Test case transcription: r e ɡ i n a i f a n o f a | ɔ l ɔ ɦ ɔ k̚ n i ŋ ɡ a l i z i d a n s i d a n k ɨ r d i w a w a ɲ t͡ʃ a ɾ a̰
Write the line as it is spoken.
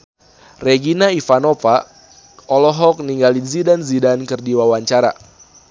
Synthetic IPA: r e ɡ i n a i f a n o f a | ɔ l ɔ ɦ ɔ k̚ n i ŋ ɡ a l i z i d a n z i d a n k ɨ r d i w a w a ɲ t͡ʃ a ɾ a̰

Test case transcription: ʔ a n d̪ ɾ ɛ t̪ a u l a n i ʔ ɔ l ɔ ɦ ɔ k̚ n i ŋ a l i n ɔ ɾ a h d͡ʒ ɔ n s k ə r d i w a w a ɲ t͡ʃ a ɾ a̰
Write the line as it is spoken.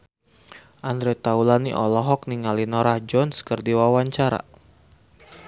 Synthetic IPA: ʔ a n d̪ ɾ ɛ t̪ a u l a n i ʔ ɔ l ɔ ɦ ɔ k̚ n i ŋ a l i n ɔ ɾ a h d͡ʒ ɔ n s k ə r d i w a w a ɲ t͡ʃ a ɾ a̰

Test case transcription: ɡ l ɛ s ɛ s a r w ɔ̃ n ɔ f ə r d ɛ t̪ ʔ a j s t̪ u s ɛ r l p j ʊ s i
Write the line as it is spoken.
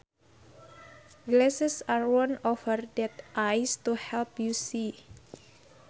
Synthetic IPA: ɡ l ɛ s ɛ s a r w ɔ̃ n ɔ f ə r d ɛ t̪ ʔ a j s t̪ u h ɛ l p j u s i

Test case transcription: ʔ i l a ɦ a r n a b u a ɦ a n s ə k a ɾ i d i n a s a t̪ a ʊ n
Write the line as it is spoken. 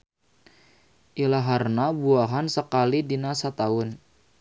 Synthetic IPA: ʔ i l a ɦ a r n a b u a ɦ a n s ə k a l i d i n a s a t̪ a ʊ n

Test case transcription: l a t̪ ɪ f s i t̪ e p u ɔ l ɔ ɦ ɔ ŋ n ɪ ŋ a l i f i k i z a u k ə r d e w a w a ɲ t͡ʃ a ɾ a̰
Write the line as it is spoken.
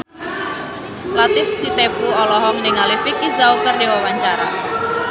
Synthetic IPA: l a t̪ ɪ f s i t̪ e p u ɔ l ɔ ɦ ɔ ŋ n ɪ ŋ a l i f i k i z a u k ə r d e w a w a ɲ t͡ʃ a ɾ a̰

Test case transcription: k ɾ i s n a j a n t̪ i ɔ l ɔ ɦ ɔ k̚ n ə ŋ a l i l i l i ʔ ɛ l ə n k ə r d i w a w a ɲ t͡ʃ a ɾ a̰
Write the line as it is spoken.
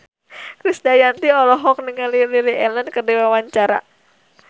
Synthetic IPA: k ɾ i s d a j a n t̪ i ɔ l ɔ ɦ ɔ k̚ n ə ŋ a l i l i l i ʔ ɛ l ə n k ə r d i w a w a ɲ t͡ʃ a ɾ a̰

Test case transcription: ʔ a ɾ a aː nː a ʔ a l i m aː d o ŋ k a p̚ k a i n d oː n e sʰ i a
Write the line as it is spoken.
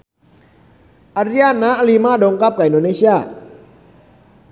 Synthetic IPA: ʔ a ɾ i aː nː a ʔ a l i m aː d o ŋ k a p̚ k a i n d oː n e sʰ i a

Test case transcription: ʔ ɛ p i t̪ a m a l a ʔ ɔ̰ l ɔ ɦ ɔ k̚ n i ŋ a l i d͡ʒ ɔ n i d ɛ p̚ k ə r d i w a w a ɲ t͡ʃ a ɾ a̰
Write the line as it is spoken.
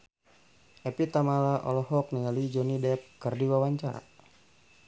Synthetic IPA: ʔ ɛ p i t̪ a m a l a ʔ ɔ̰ l ɔ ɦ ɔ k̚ n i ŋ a l i d͡ʒ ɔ n i d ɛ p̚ k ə r d i w a w a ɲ t͡ʃ a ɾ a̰

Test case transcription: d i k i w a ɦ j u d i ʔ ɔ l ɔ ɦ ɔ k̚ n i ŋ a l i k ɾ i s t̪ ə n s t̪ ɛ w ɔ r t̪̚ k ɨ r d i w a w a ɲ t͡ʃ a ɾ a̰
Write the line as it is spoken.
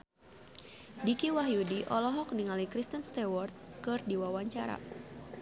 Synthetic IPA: d i k i w a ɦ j u d i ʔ ɔ l ɔ ɦ ɔ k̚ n i ŋ a l i k ɾ i s t̪ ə n s t̪ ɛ w ɔ r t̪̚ k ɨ r d i w a w a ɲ t͡ʃ a ɾ a̰

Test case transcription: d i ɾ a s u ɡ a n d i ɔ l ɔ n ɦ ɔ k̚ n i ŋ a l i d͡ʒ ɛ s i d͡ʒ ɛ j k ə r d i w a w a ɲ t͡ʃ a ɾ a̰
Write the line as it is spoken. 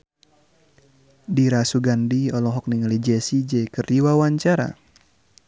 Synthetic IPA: d i ɾ a s u ɡ a n d i ɔ l ɔ ɦ ɔ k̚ n i ŋ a l i d͡ʒ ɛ s i d͡ʒ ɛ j k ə r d i w a w a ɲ t͡ʃ a ɾ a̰

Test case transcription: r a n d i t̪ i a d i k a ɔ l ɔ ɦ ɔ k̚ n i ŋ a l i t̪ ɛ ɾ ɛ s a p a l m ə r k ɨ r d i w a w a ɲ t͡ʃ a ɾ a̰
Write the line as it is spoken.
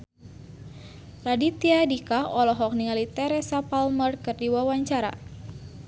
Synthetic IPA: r a d i t̪ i a d i k a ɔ l ɔ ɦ ɔ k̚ n i ŋ a l i t̪ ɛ ɾ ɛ s a p a l m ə r k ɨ r d i w a w a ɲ t͡ʃ a ɾ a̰

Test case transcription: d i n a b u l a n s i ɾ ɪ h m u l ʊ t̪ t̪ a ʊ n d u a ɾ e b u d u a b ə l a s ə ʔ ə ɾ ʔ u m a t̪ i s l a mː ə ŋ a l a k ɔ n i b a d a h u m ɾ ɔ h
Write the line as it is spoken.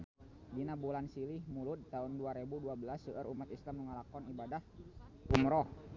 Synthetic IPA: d i n a b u l a n s i l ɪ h m u l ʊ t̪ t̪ a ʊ n d u a ɾ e b u d u a b ə l a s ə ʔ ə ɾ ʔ u m a t̪ i s l a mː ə ŋ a l a k ɔ n i b a d a h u m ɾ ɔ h

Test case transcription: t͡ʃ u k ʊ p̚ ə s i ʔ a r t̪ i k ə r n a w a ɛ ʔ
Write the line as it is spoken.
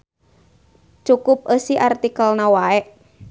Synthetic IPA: t͡ʃ u k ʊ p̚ ə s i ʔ a r t̪ i k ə l n a w a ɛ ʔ

